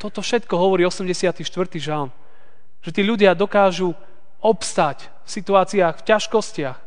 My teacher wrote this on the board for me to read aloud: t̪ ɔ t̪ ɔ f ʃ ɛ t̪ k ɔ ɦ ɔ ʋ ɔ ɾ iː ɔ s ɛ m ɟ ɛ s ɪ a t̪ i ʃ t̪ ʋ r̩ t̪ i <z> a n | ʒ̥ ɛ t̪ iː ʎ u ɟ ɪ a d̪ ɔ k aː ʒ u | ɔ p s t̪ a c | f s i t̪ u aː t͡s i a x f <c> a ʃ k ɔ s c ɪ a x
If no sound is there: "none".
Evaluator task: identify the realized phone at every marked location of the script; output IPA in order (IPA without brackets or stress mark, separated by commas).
ʒ, c